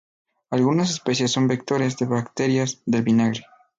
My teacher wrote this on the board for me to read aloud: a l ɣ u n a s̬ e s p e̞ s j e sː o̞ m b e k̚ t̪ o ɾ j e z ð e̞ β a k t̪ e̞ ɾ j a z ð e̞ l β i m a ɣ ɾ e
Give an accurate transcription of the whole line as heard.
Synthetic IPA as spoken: a l ɣ u n a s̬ e s p e̞ s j e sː o̞ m b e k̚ t̪ o ɾ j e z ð e̞ β a k t̪ e̞ ɾ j a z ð e̞ l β i n a ɣ ɾ e